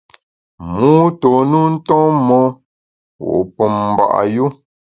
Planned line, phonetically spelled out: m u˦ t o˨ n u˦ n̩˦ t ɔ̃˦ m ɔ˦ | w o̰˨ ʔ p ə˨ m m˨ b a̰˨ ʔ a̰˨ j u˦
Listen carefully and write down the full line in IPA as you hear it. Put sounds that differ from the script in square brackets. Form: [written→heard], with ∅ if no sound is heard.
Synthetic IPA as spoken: m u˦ t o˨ n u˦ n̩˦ t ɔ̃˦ m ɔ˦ | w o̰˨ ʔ p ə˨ m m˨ b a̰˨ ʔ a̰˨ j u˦